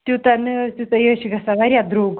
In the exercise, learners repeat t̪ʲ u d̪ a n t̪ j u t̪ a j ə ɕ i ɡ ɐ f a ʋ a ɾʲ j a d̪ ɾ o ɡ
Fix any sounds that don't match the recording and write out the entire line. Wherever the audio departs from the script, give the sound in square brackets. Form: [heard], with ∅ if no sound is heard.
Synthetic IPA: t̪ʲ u [t̪] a n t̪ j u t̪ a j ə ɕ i ɡ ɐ [s] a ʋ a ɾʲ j a d̪ ɾ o ɡ